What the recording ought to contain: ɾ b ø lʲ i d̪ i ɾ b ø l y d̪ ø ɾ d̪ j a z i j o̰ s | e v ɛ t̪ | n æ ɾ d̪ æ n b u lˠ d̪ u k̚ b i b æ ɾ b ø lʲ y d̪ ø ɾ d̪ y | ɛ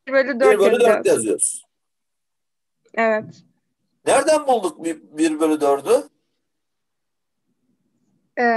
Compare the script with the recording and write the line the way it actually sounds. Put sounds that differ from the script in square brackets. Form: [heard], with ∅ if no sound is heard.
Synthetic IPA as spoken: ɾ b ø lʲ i d̪ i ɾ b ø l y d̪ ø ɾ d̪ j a z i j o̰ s | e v ɛ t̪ | n æ ɾ d̪ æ n b u lˠ d̪ u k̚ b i b [i] ɾ b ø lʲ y d̪ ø ɾ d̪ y | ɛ